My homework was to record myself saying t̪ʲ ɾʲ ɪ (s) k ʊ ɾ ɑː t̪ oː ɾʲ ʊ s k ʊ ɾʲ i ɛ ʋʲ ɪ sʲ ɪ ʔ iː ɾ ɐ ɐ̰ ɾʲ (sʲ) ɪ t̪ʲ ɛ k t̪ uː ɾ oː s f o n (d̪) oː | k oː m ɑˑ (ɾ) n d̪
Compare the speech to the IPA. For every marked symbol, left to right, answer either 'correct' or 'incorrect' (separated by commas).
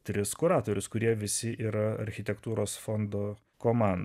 correct, incorrect, correct, incorrect